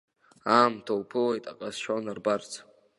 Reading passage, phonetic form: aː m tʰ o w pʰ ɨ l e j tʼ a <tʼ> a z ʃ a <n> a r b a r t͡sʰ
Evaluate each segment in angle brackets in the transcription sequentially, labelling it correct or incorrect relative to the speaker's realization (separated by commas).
incorrect, correct